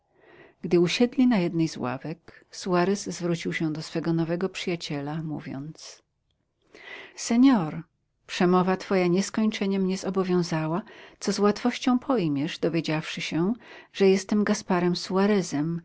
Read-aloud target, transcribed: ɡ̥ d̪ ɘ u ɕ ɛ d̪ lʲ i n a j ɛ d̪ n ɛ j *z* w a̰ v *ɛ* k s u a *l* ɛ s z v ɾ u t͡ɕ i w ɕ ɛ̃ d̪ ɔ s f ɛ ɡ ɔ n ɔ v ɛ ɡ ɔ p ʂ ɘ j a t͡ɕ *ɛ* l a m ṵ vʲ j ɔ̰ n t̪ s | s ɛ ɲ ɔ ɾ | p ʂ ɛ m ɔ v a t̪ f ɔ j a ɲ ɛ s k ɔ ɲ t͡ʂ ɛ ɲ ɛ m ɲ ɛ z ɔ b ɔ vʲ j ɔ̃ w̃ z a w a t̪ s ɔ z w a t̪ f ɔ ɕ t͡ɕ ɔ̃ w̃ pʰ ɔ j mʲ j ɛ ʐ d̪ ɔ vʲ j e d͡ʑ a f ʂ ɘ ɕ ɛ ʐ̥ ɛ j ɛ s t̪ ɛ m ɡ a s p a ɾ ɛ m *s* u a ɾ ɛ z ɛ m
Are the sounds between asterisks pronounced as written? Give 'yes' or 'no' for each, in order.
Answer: yes, yes, no, yes, yes

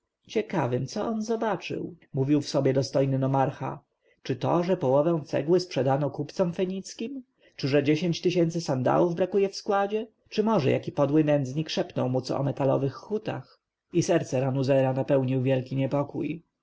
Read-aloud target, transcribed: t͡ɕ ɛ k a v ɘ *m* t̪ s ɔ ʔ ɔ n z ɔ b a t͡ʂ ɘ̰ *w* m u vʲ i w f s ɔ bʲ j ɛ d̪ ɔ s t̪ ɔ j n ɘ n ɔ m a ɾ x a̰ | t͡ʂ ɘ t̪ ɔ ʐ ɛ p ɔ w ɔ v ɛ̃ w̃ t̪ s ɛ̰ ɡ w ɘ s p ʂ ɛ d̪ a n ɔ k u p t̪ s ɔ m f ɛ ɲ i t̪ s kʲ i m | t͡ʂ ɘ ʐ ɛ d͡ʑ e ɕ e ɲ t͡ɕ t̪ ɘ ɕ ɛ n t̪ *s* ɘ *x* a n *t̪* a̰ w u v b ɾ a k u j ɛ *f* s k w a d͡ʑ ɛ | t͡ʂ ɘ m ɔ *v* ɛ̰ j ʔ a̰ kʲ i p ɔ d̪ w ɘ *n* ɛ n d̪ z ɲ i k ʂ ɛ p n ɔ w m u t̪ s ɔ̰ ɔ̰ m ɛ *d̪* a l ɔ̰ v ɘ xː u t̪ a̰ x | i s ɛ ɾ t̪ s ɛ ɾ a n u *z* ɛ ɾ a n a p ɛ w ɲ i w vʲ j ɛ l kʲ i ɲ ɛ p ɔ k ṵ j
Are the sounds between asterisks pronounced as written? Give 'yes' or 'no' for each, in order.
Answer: yes, yes, yes, no, no, yes, no, yes, no, yes

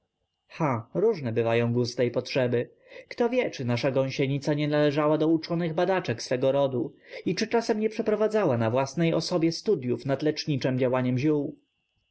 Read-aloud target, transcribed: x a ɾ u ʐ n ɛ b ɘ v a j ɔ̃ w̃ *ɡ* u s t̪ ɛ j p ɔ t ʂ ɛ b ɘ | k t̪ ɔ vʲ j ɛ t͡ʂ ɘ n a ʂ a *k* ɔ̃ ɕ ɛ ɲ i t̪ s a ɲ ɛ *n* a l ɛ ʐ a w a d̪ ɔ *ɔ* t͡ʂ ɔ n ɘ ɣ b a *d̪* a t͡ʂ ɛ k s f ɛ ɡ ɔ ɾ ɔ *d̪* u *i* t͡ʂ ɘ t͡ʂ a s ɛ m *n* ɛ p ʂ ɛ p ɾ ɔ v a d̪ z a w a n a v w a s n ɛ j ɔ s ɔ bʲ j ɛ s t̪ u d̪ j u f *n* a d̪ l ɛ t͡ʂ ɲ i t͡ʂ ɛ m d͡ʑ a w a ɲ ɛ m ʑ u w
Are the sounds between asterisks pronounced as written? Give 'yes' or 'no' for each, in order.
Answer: yes, no, yes, no, yes, yes, yes, no, yes

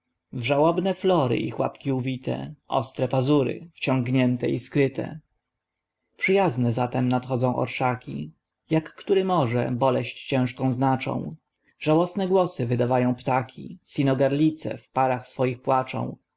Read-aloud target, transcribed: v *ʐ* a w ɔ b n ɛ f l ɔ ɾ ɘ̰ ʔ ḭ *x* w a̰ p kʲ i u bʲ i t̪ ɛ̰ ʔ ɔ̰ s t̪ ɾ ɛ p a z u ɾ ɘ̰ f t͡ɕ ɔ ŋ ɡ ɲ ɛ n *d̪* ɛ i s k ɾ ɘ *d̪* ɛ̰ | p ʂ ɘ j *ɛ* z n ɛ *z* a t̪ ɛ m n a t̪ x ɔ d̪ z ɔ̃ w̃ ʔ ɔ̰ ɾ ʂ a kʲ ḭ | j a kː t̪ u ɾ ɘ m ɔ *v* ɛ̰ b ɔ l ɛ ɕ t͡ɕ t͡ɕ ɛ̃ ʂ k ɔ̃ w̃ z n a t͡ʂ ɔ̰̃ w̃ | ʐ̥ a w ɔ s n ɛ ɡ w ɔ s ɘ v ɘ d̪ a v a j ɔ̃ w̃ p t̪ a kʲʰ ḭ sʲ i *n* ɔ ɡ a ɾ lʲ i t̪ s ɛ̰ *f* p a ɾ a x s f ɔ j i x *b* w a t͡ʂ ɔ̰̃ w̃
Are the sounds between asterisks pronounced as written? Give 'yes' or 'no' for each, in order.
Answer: yes, yes, no, no, no, yes, no, yes, yes, no

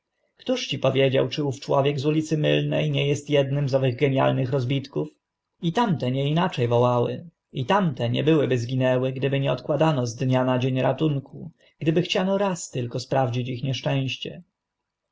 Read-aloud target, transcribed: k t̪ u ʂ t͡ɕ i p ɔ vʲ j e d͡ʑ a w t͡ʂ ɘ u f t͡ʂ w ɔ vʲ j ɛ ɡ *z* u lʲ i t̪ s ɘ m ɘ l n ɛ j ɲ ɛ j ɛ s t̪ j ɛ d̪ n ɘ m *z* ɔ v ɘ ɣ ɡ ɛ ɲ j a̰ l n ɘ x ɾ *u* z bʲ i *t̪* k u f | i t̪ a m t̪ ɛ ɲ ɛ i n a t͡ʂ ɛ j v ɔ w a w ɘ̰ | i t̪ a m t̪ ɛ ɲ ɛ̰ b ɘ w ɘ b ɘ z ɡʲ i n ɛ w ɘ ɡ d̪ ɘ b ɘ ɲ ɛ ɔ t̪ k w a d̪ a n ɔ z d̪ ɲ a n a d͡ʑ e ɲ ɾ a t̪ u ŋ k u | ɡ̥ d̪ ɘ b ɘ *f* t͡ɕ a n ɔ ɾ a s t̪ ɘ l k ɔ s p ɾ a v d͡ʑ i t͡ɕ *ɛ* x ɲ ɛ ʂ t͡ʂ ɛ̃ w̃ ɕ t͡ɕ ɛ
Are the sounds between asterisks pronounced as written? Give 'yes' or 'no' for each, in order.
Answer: yes, yes, no, yes, no, no

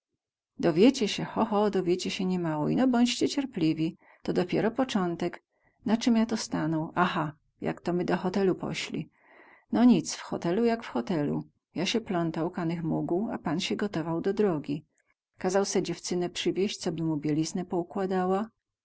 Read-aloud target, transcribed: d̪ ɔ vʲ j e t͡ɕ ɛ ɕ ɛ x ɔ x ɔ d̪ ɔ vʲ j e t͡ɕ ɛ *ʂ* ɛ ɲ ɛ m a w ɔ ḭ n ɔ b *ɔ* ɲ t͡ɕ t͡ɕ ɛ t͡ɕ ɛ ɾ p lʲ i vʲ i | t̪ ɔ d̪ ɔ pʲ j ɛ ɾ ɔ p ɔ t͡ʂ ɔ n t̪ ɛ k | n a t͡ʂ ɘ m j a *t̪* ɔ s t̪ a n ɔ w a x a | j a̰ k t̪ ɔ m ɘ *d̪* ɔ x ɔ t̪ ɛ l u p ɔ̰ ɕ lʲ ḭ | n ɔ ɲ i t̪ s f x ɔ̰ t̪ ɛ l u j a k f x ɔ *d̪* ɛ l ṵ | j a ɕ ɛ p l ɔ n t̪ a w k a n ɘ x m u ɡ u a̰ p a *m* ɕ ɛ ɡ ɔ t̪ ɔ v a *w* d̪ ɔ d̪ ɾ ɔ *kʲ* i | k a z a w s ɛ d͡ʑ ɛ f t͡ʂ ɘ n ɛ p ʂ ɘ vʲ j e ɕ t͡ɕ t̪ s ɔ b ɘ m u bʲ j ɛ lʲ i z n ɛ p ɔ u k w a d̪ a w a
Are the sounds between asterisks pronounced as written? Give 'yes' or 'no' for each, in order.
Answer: no, yes, yes, yes, no, no, yes, no

